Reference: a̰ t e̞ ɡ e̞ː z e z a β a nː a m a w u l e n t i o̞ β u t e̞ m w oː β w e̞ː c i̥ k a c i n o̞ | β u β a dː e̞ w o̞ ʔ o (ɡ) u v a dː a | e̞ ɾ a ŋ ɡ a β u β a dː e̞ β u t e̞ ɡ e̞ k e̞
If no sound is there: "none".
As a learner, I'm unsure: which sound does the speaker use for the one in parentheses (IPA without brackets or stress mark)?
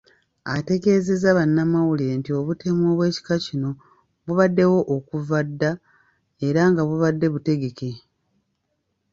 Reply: k